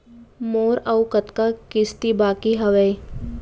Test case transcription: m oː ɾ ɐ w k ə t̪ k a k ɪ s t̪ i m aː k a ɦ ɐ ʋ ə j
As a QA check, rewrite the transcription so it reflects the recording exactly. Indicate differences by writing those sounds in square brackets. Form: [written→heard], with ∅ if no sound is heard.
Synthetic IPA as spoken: m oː ɾ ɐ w k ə t̪ k a k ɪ s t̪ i [m→b] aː k [a→i] ɦ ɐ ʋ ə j